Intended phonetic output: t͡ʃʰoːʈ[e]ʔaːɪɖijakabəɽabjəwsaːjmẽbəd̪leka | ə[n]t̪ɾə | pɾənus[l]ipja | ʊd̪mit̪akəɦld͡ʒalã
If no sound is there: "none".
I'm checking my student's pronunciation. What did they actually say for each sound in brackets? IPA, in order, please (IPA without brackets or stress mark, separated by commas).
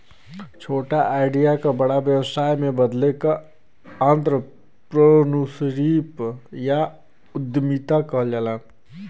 a, n, ɾ